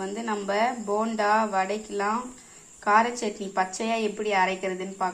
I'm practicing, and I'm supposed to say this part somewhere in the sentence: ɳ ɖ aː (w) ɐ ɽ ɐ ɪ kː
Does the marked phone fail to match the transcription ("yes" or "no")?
yes